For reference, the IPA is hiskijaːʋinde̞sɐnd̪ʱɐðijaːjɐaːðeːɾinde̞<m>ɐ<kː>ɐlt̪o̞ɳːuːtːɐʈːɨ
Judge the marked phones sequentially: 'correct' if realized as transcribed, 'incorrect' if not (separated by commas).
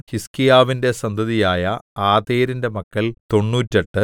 correct, correct